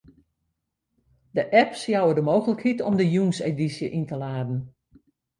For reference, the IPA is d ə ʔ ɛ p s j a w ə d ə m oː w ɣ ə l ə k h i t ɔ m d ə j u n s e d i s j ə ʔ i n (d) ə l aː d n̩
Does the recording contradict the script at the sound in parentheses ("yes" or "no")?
yes